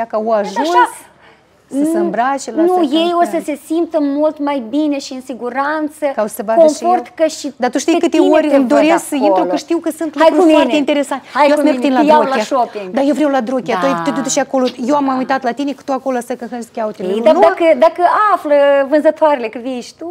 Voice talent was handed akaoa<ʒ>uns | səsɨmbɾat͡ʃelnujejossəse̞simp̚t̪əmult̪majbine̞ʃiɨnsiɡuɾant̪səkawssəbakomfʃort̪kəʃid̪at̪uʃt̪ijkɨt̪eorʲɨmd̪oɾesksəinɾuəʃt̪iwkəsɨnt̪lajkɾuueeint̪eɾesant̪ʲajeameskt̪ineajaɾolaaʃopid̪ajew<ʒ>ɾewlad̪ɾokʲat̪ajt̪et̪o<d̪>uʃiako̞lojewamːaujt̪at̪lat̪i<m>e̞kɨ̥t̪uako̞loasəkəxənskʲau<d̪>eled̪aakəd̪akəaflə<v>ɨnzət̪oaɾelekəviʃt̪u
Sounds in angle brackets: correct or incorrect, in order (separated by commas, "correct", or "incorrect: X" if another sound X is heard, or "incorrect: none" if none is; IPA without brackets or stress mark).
correct, incorrect: v, incorrect: t̪, incorrect: n, incorrect: t̪, correct